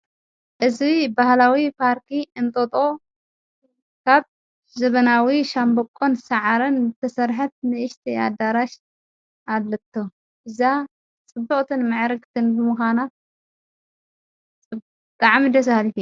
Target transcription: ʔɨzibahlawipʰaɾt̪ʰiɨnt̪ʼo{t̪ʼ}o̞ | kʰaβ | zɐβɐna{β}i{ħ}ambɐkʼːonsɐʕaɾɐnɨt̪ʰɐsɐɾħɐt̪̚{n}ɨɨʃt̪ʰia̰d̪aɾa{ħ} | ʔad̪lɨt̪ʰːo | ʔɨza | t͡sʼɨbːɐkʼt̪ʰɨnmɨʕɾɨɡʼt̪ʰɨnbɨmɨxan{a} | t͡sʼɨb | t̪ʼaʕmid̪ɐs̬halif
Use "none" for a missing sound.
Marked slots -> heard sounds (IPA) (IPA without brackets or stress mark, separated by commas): t̪ʼ, w, ʃ, n, ʃ, a